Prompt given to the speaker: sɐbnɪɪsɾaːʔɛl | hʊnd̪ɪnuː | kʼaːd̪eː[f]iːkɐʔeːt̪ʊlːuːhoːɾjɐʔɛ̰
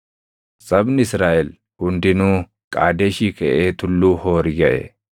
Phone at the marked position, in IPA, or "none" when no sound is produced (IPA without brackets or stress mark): ʃ